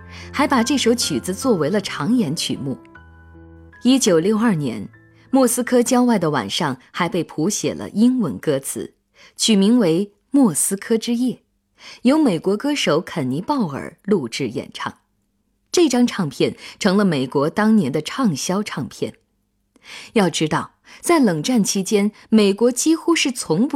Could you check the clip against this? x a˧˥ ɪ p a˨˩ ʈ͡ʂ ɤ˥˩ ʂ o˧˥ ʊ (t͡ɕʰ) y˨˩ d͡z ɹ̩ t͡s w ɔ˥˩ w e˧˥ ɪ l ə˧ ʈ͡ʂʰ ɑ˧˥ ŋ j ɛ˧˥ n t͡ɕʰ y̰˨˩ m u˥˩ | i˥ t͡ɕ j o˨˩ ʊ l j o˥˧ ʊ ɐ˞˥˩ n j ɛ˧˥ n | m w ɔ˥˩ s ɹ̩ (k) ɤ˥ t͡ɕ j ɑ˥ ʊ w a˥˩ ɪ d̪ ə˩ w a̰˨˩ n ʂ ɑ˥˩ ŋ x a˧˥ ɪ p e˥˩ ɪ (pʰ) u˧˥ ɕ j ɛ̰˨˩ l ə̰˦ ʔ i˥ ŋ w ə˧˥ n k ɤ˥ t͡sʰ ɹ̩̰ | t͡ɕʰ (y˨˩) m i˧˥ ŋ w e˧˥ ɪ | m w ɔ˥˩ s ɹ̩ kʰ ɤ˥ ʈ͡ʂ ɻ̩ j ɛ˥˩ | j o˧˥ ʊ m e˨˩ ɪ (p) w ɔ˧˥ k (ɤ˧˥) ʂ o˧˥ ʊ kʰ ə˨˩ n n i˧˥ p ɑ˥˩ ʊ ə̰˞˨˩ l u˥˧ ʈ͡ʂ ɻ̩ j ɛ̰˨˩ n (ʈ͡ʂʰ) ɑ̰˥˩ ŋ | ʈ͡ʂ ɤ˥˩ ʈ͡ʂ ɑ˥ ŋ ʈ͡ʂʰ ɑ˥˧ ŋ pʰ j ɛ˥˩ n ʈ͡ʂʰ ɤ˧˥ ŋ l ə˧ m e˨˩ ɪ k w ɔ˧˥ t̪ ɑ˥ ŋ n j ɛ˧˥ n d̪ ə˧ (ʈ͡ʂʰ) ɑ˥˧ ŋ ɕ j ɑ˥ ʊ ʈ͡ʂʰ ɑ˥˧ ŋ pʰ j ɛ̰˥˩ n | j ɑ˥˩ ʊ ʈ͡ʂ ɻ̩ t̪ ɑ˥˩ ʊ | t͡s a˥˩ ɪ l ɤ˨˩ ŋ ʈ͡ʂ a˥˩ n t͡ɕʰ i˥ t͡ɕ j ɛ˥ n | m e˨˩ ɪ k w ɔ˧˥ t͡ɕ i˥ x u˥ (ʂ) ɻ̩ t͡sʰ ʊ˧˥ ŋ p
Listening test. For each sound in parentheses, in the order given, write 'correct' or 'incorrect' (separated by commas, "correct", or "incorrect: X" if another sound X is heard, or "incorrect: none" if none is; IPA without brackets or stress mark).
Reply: correct, incorrect: kʰ, correct, correct, incorrect: k, incorrect: ɤ˥, correct, correct, correct